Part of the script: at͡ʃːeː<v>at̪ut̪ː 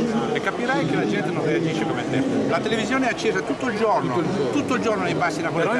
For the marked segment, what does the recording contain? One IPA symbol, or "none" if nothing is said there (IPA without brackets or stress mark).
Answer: z